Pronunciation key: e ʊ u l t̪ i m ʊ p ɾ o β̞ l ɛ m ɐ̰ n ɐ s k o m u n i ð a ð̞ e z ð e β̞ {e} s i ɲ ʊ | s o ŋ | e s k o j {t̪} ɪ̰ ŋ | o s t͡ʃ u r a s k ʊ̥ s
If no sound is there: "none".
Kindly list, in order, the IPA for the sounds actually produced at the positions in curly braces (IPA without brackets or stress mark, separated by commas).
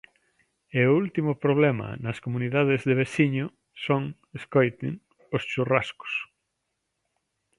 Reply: e, t̪